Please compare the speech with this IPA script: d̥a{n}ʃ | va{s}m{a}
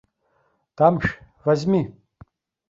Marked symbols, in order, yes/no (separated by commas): no, no, no